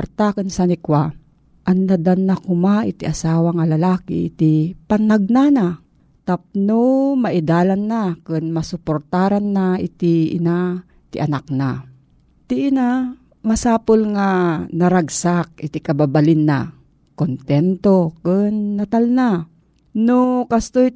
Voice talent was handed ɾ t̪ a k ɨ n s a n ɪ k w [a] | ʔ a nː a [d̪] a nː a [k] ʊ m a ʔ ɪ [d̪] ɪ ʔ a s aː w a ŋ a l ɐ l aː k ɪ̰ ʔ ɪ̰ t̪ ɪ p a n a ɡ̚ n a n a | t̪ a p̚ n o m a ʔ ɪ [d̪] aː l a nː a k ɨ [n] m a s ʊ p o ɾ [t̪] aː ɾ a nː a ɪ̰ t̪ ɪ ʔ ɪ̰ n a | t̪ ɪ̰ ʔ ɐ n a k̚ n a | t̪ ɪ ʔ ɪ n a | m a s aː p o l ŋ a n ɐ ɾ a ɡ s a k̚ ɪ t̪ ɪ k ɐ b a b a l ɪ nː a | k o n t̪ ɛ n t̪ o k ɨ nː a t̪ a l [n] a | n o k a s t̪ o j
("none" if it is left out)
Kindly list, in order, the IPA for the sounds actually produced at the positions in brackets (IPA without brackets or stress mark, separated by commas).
a, d̪, k, t̪, d̪, n, t̪, n